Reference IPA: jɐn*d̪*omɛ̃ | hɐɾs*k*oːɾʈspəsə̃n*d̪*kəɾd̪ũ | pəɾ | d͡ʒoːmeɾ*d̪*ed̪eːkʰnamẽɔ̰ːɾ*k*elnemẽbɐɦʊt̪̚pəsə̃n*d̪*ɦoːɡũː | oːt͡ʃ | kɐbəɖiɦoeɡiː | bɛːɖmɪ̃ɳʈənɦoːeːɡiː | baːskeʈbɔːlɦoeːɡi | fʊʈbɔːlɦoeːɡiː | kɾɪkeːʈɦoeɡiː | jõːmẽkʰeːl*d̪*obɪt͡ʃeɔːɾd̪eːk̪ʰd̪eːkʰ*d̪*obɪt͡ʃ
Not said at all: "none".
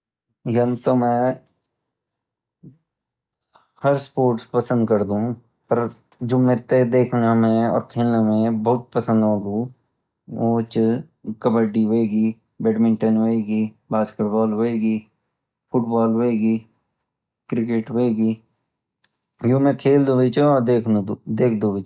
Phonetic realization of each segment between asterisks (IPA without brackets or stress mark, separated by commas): t̪, p, d̪, t̪, kʰ, d̪, d̪, d̪